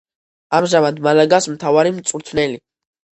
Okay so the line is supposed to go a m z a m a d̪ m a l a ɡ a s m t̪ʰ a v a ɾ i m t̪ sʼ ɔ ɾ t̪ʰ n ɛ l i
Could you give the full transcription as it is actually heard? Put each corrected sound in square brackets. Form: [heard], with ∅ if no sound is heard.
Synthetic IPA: a m [ʒ] a m a d̪ m a l a ɡ a s m t̪ʰ a v a ɾ i m t̪ sʼ [u] ɾ t̪ʰ n ɛ l i